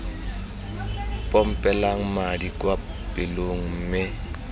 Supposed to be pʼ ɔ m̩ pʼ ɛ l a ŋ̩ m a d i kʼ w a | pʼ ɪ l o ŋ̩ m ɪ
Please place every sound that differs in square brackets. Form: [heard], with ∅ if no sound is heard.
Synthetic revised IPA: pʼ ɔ m̩ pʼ ɛ l a ŋ̩ m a d i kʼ w a | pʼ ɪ l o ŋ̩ m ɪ